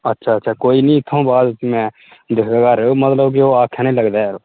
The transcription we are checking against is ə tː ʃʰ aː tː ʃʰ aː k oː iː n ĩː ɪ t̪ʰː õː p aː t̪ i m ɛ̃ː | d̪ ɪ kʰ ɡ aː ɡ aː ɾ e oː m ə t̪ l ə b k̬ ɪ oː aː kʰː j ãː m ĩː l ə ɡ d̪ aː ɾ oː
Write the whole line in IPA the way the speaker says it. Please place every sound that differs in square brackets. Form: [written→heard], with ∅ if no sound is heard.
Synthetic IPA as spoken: ə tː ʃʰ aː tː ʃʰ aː k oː iː n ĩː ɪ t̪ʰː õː [p→b] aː [t̪→d̪] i m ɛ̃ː | d̪ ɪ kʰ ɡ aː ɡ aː ɾ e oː m ə t̪ l ə b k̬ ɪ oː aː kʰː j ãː [m→n] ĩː l ə ɡ d̪ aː ɾ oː